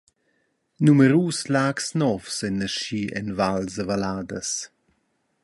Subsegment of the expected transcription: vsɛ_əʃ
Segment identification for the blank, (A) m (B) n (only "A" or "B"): B